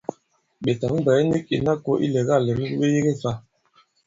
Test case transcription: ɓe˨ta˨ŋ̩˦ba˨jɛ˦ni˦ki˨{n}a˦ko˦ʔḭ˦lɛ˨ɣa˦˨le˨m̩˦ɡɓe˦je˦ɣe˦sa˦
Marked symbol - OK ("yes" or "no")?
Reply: yes